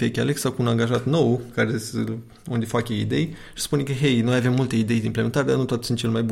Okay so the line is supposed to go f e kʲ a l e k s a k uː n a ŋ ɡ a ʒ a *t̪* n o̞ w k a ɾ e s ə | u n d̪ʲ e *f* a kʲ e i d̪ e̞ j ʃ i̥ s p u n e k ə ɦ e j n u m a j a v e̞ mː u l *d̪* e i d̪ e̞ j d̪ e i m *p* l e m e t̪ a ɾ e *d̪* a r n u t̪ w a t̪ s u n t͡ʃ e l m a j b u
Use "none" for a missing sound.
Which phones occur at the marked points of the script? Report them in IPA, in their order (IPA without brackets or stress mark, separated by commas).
t̪, f, t̪, p, d̪